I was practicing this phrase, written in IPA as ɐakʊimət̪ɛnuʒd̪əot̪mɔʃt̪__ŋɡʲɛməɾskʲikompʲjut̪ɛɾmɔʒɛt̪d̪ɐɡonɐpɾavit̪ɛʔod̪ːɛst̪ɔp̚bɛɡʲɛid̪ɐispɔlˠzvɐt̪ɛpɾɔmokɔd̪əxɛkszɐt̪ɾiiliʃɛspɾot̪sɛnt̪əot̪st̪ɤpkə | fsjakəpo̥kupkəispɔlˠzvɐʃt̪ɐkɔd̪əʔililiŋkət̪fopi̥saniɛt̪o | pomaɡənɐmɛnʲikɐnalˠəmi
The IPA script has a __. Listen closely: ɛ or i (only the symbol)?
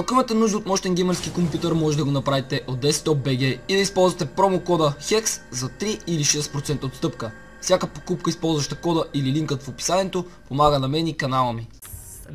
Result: ɛ